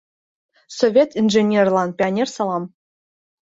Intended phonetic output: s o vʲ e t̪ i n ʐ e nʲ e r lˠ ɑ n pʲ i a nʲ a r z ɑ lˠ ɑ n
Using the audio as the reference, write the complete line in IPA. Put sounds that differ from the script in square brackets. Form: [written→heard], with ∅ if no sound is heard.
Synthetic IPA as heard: s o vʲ e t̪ i n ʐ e nʲ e r lˠ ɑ n pʲ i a nʲ [a→e] r [z→s] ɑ lˠ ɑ [n→m]